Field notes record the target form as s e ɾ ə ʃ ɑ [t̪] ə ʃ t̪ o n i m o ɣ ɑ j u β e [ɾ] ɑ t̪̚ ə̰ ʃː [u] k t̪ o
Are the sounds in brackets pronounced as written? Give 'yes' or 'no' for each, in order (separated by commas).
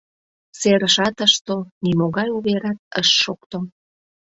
yes, yes, no